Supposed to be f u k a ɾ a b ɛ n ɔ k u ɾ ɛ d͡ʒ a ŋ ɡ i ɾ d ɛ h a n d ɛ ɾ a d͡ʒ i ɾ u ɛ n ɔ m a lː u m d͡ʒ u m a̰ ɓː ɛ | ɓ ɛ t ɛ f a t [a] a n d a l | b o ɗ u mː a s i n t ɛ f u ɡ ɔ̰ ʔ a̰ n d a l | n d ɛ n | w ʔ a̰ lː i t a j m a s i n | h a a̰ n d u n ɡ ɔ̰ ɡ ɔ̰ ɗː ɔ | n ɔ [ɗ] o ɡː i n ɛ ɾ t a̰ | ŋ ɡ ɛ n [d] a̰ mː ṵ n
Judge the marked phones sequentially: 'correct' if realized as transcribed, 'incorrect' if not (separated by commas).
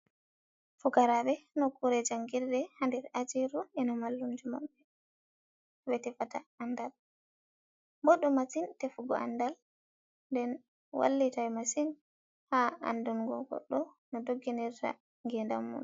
correct, incorrect, correct